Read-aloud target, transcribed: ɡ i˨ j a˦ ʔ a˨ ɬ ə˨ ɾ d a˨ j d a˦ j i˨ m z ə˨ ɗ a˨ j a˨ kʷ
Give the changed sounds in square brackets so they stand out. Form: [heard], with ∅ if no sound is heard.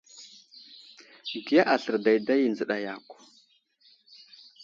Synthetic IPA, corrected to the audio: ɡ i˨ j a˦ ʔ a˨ ɬ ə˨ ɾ d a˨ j d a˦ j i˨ [n] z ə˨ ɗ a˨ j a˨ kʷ